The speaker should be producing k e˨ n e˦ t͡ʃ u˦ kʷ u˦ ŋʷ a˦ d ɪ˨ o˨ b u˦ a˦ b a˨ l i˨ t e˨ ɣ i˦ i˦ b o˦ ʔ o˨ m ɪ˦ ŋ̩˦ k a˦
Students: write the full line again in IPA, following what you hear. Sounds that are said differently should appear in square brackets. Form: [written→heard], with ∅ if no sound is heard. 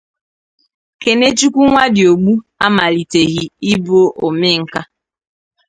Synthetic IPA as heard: k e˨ n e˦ t͡ʃ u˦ kʷ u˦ ŋʷ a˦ d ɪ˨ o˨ [b→ɡ͡b] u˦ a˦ [b→m] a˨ l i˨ t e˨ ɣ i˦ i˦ b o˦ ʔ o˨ m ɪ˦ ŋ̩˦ k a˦